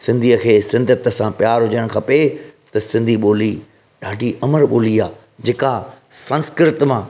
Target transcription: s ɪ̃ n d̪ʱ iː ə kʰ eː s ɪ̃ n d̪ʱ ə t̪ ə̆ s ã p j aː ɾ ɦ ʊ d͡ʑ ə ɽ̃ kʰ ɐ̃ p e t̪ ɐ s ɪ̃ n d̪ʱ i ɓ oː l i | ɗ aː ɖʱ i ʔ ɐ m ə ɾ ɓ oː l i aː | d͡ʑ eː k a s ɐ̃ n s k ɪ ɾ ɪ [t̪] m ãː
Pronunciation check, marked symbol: correct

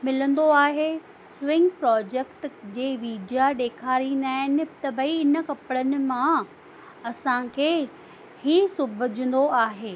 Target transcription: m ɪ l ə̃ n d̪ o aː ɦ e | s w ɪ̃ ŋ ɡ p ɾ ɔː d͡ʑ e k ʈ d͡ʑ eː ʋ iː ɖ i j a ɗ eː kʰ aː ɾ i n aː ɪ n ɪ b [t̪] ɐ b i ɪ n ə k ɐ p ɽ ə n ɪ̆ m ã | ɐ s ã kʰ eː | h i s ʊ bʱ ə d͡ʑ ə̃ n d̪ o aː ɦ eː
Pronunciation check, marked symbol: correct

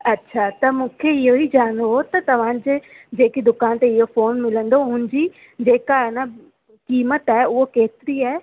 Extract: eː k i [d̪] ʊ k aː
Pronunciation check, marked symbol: correct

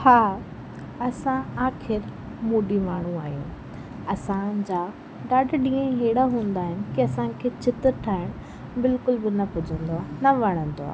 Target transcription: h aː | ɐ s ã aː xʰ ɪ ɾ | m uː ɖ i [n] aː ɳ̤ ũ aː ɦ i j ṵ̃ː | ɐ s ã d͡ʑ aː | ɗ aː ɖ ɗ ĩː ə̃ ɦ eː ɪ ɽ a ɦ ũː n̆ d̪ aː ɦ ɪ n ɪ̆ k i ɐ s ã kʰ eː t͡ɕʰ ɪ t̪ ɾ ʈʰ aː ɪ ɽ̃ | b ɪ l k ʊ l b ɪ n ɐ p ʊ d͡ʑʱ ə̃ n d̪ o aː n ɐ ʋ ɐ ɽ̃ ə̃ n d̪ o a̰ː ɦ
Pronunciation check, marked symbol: incorrect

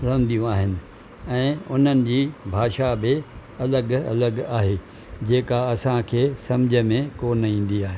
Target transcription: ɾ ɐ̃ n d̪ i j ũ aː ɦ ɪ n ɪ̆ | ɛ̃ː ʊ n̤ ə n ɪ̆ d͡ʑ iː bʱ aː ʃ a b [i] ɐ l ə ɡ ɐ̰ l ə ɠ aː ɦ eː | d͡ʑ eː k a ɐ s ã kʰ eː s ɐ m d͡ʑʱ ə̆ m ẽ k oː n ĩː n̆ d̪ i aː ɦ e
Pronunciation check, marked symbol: incorrect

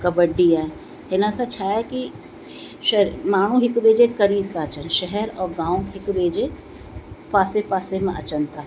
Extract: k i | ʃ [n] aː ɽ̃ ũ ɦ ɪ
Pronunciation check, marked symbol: incorrect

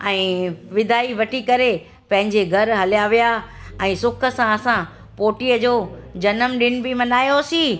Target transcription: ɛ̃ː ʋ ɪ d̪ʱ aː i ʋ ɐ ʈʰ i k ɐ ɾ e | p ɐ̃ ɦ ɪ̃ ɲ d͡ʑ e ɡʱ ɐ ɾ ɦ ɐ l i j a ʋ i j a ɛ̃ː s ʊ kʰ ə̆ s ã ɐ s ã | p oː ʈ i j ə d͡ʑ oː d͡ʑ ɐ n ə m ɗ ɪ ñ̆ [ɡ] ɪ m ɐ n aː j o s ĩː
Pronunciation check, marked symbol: incorrect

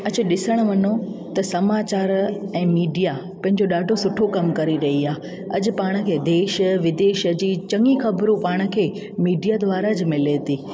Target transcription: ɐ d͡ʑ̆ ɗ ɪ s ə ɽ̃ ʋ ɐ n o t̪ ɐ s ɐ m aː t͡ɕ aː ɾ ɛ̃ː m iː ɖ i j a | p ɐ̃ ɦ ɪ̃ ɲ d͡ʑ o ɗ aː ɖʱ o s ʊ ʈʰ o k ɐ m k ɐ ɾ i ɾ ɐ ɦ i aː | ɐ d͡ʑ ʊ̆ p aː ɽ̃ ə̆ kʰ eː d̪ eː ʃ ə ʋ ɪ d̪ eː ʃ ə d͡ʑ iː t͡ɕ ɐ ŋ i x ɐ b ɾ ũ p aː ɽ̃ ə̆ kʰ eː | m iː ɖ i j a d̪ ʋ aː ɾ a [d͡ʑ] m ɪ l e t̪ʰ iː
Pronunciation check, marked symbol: correct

